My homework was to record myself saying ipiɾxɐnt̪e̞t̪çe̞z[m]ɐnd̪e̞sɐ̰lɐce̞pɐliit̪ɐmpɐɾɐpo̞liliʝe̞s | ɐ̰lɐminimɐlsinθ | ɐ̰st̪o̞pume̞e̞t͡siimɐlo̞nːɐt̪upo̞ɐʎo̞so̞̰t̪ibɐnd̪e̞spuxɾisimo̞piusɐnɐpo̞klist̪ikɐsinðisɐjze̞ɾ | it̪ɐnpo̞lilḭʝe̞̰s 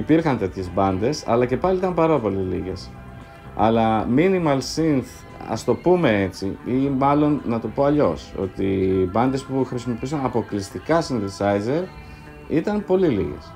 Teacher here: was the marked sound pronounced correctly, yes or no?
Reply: no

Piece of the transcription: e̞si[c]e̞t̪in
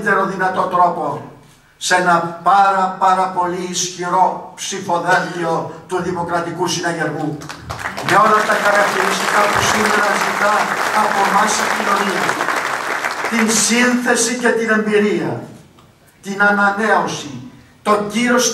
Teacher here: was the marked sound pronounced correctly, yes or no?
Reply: yes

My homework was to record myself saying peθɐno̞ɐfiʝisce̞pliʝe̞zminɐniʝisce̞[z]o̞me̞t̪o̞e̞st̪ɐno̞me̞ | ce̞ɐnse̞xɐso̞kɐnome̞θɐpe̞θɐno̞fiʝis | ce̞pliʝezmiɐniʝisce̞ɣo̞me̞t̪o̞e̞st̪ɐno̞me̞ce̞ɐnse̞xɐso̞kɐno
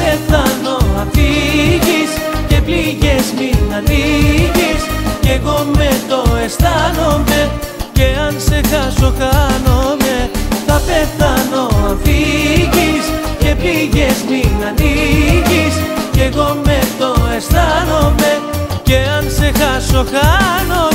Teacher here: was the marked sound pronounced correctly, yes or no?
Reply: no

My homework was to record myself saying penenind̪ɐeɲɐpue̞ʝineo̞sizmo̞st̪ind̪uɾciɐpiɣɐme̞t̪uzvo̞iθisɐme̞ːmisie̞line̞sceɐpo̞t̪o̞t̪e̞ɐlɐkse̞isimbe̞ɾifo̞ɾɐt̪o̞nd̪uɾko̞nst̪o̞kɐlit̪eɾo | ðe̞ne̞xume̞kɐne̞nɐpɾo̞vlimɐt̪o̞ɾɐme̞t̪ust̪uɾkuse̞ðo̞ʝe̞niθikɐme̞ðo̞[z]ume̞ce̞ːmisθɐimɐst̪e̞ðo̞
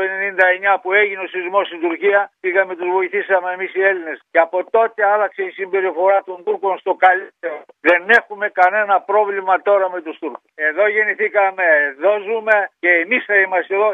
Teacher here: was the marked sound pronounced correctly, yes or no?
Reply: yes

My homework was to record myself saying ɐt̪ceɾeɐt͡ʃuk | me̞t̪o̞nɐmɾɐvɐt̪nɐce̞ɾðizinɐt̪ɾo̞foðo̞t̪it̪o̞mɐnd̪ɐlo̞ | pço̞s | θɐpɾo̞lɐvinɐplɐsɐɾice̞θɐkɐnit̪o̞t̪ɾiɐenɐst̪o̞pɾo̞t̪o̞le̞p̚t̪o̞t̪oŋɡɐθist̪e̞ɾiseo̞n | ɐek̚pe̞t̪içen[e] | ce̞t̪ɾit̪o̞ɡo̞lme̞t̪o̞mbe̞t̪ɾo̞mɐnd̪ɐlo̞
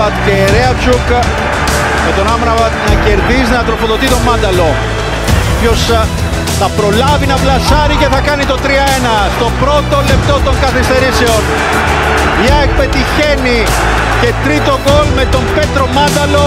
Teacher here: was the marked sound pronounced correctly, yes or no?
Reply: no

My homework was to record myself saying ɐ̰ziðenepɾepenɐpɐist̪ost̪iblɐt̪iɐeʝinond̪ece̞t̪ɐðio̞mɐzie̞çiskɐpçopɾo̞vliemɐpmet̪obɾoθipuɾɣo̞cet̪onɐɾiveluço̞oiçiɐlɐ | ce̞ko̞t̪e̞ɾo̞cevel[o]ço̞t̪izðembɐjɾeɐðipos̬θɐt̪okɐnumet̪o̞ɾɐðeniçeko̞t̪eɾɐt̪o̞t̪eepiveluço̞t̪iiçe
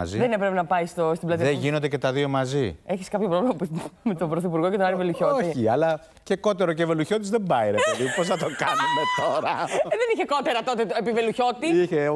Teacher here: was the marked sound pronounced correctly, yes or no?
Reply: no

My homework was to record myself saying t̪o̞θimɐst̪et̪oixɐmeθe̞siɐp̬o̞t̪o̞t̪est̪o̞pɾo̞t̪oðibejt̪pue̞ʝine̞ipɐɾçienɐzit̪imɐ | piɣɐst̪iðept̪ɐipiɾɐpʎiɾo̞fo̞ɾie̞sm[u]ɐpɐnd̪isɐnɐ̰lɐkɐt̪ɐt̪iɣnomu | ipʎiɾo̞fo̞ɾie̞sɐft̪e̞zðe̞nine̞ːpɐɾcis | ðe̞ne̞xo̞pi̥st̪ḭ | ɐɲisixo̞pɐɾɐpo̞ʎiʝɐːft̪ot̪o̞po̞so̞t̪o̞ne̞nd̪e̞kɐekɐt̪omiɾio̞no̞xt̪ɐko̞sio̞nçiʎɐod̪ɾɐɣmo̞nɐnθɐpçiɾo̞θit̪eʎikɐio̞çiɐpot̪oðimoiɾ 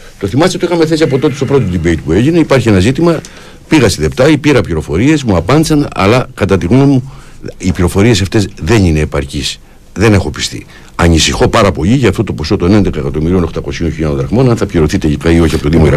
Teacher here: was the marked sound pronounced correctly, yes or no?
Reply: yes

